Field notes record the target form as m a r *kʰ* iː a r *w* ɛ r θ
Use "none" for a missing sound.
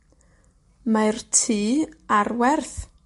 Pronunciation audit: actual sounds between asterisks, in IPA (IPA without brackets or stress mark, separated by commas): tʰ, w